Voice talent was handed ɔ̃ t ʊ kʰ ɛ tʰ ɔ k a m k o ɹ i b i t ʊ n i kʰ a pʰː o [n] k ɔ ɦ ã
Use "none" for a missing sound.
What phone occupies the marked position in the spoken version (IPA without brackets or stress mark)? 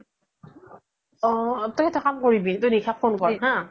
n